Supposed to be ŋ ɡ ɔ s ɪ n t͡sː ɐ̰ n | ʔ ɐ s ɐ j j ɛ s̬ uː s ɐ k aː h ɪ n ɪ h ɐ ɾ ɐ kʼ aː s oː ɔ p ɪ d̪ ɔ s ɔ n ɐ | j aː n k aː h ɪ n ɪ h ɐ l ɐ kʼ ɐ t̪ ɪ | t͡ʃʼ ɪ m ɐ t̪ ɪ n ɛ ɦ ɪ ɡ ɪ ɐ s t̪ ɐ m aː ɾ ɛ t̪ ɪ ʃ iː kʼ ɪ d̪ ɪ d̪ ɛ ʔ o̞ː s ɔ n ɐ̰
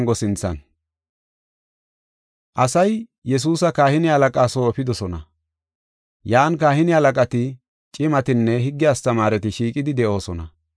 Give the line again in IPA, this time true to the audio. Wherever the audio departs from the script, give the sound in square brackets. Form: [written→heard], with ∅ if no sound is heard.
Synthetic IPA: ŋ ɡ ɔ s ɪ n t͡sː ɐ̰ n | ʔ ɐ s ɐ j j ɛ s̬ uː s ɐ k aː h ɪ n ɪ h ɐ [ɾ→l] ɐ kʼ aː s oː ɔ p ɪ d̪ ɔ s ɔ n ɐ | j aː n k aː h ɪ n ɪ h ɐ l ɐ kʼ ɐ t̪ ɪ | t͡ʃʼ ɪ m ɐ t̪ ɪ [n→nː] ɛ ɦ ɪ [ɡ→ɡː] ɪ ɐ s t̪ ɐ m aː ɾ ɛ t̪ ɪ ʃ iː kʼ ɪ d̪ ɪ d̪ ɛ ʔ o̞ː s ɔ n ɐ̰